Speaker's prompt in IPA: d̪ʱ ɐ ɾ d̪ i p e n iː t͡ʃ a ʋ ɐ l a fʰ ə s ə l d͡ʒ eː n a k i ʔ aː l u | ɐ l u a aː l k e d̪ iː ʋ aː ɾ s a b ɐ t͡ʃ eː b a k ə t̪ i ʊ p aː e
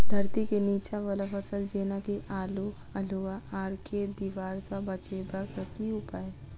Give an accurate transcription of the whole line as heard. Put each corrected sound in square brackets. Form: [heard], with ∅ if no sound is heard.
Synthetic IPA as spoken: d̪ʱ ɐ ɾ [t̪] i [k] e n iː t͡ʃ a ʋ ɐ l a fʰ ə s ə l d͡ʒ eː n a k i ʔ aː l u | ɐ l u a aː [ɾ] k e d̪ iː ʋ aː ɾ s a b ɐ t͡ʃ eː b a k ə t̪ i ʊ p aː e